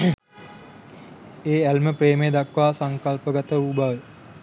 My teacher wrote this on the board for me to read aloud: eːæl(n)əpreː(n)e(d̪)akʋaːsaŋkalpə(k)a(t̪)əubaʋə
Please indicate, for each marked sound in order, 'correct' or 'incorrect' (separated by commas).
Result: incorrect, incorrect, correct, incorrect, correct